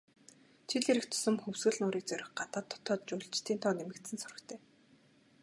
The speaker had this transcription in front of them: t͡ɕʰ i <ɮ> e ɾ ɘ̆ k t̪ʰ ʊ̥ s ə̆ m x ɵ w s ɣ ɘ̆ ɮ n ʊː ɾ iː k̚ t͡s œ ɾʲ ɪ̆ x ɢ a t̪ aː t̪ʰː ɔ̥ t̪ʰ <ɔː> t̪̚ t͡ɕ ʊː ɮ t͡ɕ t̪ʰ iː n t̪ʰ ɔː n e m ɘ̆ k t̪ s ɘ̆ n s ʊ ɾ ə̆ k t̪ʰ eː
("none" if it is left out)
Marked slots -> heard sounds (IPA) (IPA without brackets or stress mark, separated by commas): ɮ, ɔː